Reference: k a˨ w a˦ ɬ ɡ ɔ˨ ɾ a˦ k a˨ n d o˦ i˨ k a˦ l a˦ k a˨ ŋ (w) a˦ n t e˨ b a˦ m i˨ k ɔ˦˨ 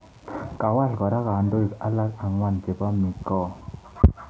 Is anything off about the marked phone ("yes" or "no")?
no